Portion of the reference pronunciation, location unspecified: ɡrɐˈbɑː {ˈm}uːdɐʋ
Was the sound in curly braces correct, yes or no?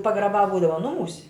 no